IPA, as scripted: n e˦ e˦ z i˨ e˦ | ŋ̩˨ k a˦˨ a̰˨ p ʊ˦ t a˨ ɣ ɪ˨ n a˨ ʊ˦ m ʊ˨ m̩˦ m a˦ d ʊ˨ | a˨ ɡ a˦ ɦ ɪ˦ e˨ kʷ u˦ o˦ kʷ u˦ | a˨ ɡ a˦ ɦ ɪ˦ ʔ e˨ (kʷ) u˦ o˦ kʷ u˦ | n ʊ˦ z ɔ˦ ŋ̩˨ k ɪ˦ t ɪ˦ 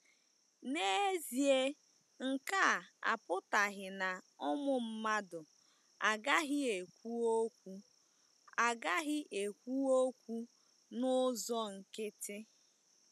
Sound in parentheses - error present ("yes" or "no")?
no